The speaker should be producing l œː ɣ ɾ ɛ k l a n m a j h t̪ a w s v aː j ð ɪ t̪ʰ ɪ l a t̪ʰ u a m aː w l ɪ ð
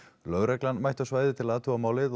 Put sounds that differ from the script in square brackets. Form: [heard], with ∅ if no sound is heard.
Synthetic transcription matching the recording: l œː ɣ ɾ ɛ k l a n m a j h t̪ a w s v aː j ð ɪ t̪ʰ ɪ l a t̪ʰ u a m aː w l ɪ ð